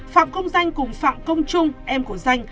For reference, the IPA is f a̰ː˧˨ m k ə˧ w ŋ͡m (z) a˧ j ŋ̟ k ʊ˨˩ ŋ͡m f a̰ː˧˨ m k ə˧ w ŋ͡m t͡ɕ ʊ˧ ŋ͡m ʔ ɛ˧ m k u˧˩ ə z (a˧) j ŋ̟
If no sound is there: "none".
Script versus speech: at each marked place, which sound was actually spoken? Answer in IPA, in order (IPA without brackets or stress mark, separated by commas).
z, a˧